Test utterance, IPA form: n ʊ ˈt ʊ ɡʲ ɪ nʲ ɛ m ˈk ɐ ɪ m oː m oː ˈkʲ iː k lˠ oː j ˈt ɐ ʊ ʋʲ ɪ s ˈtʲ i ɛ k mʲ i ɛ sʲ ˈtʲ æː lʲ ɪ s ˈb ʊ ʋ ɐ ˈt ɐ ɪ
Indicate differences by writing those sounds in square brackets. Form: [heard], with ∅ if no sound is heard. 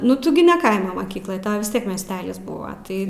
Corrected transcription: n ʊ ˈt ʊ ɡʲ ɪ nʲ ɛ [∅] ˈk ɐ ɪ m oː m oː ˈkʲ iː k lˠ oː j ˈt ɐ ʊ ʋʲ ɪ s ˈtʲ i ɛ k mʲ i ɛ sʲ ˈtʲ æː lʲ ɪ s ˈb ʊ ʋ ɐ ˈt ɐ ɪ